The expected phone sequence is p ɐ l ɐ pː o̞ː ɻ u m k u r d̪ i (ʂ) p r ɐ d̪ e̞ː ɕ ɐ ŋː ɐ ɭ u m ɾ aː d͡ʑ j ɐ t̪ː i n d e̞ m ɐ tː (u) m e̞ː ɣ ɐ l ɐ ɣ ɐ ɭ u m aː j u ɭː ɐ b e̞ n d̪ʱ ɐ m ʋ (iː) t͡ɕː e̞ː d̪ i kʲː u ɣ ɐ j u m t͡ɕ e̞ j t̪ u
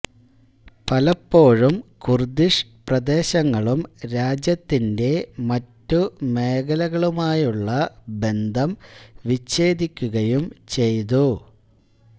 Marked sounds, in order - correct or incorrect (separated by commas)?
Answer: correct, correct, incorrect